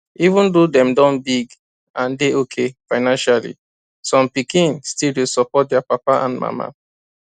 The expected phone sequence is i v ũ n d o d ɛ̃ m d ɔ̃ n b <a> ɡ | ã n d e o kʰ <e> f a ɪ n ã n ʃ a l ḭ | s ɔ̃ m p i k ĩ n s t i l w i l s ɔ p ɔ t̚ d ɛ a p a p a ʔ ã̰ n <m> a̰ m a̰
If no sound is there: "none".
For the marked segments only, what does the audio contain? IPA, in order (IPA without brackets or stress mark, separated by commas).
i, e, m